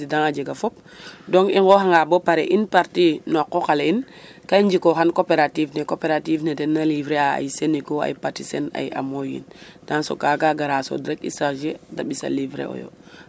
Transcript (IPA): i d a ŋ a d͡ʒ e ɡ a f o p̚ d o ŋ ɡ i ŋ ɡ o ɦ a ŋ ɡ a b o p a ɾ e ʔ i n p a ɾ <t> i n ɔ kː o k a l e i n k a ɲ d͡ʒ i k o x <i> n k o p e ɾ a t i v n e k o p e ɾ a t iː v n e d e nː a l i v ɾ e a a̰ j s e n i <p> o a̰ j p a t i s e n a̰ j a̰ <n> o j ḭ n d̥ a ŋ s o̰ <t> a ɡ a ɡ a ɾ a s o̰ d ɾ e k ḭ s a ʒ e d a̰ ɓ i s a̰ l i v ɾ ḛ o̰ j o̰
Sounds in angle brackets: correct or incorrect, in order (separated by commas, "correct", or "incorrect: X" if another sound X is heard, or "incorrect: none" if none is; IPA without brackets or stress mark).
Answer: correct, incorrect: a, incorrect: k, incorrect: m, incorrect: k